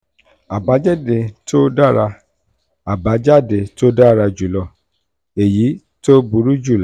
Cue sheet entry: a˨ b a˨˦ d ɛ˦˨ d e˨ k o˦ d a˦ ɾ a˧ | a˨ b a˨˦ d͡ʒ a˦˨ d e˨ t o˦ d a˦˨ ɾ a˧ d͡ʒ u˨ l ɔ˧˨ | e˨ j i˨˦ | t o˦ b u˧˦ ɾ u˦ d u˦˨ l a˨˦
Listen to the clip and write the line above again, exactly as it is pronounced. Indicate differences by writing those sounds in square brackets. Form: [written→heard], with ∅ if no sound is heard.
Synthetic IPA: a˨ b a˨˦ [d→d͡ʒ] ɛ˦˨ d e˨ [k→t] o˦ d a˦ ɾ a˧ | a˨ b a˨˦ d͡ʒ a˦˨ d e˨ t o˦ d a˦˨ ɾ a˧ d͡ʒ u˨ l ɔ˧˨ | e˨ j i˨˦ | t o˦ b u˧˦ ɾ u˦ [d→d͡ʒ] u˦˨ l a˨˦